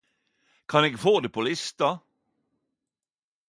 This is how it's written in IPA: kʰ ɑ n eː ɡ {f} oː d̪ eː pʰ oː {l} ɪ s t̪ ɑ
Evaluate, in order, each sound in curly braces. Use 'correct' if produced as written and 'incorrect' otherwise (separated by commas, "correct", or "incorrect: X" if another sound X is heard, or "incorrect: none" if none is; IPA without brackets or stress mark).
correct, correct